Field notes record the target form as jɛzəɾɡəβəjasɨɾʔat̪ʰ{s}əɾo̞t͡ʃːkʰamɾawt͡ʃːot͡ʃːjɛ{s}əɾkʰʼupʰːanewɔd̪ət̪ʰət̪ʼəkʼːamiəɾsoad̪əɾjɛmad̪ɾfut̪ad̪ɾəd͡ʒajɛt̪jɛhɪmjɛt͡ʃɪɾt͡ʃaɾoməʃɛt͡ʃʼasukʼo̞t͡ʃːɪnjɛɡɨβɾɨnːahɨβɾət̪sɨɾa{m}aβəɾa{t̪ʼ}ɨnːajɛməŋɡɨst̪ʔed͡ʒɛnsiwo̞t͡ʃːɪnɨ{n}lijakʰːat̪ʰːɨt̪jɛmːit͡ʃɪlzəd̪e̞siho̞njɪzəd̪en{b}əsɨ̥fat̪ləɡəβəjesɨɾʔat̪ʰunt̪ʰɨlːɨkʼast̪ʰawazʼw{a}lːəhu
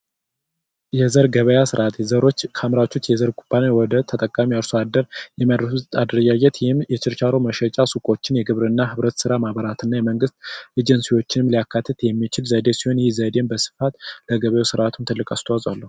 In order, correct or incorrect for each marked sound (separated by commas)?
incorrect, incorrect, correct, incorrect, incorrect, correct, correct